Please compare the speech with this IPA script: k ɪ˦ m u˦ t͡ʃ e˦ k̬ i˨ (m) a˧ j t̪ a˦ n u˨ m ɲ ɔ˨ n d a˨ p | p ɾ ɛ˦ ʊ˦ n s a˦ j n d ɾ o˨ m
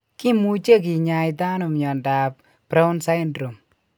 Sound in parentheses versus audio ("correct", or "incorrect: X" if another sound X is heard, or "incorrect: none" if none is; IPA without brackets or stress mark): incorrect: ɲ